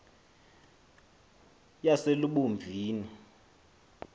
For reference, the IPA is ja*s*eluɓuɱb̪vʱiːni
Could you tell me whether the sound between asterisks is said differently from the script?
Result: no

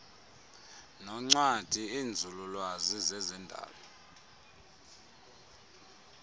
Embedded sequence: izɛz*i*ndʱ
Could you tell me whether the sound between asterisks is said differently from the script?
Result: yes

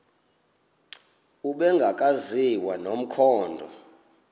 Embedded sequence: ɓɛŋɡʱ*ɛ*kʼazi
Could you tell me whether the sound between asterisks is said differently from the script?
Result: yes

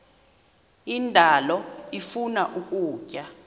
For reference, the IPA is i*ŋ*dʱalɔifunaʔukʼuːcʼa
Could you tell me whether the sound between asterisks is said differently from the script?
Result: yes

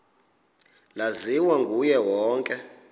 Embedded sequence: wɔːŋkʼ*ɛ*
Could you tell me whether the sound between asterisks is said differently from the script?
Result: no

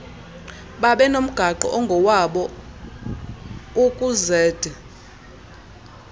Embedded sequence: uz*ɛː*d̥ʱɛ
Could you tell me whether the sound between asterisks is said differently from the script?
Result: no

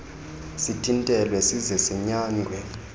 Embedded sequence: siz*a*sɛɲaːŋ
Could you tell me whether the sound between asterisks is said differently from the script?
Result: yes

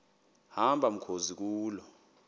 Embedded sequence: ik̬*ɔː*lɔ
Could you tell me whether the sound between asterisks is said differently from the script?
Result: yes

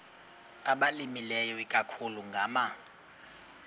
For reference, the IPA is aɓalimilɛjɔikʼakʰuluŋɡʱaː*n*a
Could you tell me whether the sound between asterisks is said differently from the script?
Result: yes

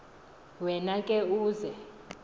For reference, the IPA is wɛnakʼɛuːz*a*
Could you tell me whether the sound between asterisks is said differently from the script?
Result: yes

